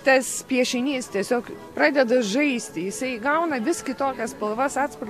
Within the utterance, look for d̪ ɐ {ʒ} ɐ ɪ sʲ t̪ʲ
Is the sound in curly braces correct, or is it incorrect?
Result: correct